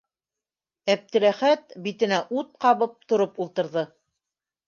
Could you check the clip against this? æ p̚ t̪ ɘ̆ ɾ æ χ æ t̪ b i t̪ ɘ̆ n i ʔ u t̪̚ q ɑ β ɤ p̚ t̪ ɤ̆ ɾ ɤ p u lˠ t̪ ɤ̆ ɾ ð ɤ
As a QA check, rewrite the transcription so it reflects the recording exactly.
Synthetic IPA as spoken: æ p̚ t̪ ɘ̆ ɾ æ χ æ t̪ b i t̪ ɘ̆ n æ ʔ u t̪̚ q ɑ β ɤ p̚ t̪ ŏ ɾ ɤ p u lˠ t̪ ɤ̆ ɾ ð ɤ